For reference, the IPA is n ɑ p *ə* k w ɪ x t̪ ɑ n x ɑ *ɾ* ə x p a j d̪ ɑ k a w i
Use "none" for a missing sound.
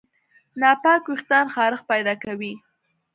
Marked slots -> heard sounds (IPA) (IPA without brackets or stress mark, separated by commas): ɑ, ɾ